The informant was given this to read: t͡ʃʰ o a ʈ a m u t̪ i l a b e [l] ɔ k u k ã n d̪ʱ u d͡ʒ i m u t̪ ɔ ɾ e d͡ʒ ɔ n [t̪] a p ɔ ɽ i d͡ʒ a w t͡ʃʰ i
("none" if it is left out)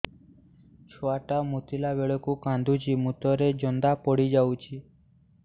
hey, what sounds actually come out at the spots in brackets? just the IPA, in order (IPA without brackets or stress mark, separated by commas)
ɭ, d̪